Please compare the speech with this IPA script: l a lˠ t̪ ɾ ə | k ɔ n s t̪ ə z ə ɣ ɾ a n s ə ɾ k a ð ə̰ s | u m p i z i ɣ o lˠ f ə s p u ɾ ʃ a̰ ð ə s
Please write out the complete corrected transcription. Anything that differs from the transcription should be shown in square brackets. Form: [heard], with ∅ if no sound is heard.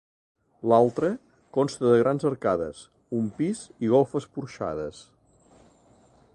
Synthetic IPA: l a lˠ t̪ ɾ ə | k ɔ n s t̪ ə [ð] ə ɣ ɾ a n [z] ə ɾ k a ð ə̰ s | u m p i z i ɣ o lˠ f ə s p u ɾ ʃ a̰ ð ə s